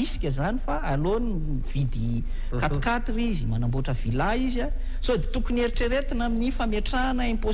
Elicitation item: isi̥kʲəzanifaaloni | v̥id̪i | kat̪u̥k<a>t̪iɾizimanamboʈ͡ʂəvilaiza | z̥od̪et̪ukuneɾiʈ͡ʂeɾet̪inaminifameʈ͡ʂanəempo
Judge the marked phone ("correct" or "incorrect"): correct